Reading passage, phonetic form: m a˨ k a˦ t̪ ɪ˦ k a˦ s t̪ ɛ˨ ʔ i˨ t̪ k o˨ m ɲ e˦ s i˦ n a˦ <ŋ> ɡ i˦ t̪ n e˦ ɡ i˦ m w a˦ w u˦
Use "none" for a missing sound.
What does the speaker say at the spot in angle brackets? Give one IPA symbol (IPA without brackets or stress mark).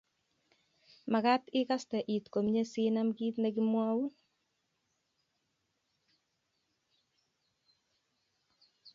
m